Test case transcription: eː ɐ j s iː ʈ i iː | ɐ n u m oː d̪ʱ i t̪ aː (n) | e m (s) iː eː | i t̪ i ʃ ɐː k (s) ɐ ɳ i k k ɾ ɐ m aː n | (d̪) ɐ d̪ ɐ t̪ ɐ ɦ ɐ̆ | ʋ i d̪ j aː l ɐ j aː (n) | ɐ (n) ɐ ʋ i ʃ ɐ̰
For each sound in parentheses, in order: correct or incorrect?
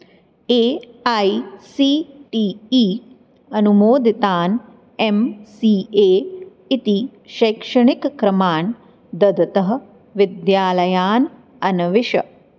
correct, correct, incorrect: ʂ, correct, correct, correct

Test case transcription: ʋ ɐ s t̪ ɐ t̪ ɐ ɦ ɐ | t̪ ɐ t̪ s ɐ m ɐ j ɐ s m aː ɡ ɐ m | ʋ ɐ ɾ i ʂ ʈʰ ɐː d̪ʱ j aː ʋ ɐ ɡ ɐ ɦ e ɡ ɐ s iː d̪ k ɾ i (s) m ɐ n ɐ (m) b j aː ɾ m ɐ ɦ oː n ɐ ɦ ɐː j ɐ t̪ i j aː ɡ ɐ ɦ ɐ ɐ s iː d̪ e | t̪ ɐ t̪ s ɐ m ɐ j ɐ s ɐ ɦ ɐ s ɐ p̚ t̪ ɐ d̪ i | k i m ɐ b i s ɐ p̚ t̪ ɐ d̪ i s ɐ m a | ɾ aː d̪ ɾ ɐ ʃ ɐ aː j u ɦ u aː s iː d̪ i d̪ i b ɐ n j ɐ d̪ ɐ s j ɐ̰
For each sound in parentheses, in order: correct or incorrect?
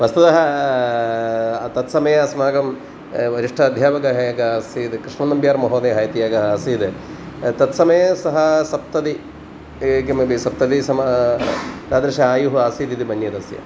incorrect: ʂ, correct

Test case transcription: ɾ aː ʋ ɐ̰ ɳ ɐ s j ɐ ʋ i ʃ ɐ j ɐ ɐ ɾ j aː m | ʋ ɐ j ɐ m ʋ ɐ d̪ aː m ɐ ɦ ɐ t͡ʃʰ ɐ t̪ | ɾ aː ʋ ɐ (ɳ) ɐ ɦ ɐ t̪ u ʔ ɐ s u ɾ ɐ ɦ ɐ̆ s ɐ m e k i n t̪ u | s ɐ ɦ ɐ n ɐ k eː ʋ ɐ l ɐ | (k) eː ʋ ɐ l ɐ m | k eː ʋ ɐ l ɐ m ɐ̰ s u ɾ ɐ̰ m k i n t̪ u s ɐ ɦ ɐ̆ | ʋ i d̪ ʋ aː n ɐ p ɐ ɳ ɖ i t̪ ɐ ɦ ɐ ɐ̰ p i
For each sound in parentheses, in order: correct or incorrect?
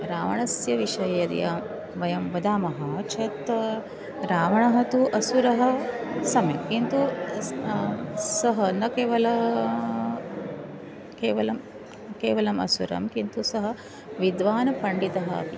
correct, correct

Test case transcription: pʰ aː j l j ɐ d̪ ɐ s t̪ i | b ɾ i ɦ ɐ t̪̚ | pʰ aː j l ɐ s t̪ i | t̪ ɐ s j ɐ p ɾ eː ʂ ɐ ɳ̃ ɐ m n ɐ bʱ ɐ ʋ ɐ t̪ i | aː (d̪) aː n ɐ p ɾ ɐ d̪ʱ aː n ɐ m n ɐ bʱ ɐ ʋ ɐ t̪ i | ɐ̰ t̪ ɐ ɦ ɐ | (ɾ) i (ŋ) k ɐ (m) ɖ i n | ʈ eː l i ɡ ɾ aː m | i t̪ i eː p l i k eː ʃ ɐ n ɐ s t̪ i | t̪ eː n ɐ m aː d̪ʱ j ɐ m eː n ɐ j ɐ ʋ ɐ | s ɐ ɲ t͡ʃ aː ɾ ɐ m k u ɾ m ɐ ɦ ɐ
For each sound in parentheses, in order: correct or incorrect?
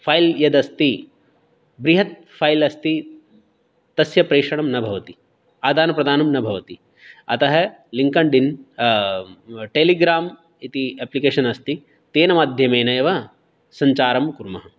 correct, incorrect: l, correct, incorrect: ɳ

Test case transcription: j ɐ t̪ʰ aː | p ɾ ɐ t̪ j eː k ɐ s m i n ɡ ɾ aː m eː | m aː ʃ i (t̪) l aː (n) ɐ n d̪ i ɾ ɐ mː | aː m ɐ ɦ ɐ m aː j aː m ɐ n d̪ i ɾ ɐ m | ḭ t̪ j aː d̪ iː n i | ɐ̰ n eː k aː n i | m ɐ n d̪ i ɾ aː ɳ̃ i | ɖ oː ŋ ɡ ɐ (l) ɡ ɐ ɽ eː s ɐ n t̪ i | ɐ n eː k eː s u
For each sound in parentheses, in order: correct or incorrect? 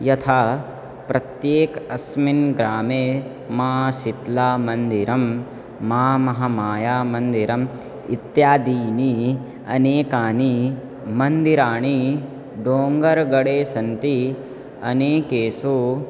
correct, incorrect: m, incorrect: ɾ

